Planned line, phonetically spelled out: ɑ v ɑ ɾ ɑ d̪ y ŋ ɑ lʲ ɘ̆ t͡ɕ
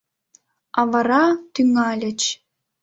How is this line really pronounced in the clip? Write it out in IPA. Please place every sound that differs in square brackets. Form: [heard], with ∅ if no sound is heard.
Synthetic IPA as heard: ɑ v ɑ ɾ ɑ [t̪] y ŋ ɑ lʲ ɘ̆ t͡ɕ